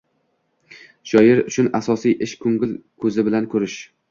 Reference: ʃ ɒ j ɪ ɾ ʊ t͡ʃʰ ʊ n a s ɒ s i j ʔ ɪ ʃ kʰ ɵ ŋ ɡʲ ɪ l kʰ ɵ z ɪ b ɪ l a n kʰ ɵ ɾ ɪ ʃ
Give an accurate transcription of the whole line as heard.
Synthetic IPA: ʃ ɒ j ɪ ɾ ʊ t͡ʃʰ ʊ n a s ɒ s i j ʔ ɪ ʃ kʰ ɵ ŋ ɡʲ ɪ l kʰ ɵ z ɪ b ɪ l a n kʰ ɵ ɾ ɪ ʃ